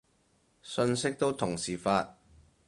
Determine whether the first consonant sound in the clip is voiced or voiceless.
voiceless